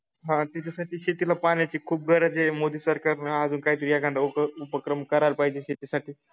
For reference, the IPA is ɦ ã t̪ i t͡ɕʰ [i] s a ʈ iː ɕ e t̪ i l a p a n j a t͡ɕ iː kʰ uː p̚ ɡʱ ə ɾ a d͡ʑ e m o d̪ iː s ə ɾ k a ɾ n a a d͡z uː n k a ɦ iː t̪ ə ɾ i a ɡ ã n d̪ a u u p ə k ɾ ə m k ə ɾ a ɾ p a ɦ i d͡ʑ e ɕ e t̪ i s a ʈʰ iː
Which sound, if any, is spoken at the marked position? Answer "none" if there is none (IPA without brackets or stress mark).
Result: a